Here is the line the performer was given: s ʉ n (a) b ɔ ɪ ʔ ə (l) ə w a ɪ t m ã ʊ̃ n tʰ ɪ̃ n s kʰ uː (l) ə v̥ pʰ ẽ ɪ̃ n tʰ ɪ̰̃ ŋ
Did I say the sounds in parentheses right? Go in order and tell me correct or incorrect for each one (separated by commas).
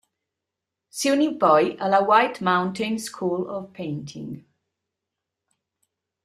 incorrect, correct, correct